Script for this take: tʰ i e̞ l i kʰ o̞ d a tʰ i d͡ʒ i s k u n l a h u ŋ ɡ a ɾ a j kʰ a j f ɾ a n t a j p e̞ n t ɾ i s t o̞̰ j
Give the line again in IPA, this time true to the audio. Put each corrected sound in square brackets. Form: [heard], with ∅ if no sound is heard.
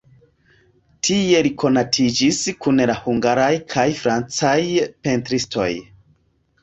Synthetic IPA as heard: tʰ i e̞ l i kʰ o̞ [n] a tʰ i d͡ʒ i s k u n l a h u ŋ ɡ a ɾ a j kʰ a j f ɾ a n [t͡s] a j p e̞ n t ɾ i s t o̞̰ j